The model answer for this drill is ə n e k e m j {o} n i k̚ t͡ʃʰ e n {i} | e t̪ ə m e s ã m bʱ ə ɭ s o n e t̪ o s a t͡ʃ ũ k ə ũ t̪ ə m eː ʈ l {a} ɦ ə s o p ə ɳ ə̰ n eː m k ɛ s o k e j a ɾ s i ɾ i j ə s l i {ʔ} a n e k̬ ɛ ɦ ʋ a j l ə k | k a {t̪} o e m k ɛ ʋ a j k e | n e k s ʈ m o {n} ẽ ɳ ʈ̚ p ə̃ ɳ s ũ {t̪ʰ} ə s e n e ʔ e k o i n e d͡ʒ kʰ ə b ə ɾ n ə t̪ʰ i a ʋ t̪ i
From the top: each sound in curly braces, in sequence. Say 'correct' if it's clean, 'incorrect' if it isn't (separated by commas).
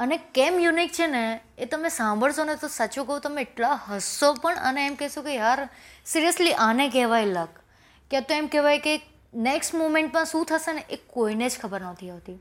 incorrect, incorrect, correct, correct, correct, incorrect, correct